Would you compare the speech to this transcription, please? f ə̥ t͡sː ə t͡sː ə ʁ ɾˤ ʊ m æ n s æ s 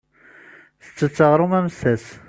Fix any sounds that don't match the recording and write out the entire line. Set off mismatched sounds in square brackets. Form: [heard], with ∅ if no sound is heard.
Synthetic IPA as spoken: [θ] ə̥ t͡sː ə t͡sː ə ʁ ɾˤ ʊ m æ [m] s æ s